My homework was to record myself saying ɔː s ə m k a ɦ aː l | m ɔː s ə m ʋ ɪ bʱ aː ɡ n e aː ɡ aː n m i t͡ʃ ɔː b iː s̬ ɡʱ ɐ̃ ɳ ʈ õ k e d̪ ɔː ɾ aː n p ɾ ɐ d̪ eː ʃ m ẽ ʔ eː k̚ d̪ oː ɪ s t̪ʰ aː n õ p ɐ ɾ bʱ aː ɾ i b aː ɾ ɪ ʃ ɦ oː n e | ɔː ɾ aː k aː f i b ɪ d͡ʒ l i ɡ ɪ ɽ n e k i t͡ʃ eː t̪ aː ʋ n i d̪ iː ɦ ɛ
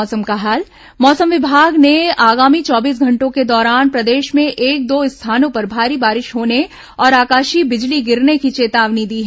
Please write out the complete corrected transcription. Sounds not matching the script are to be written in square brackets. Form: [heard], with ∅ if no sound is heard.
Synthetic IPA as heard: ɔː s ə m k a ɦ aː l | m ɔː s ə m ʋ ɪ bʱ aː ɡ n e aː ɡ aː [∅] m i t͡ʃ ɔː b iː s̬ ɡʱ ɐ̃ ɳ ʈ õ k e d̪ ɔː ɾ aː n p ɾ ɐ d̪ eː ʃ m ẽ ʔ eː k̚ d̪ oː ɪ s t̪ʰ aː n õ p ɐ ɾ bʱ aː ɾ i b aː ɾ ɪ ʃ ɦ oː n e | ɔː ɾ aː k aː [ʃ] i b ɪ d͡ʒ l i ɡ ɪ [ɾ] n e k i t͡ʃ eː t̪ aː ʋ n i d̪ iː ɦ ɛ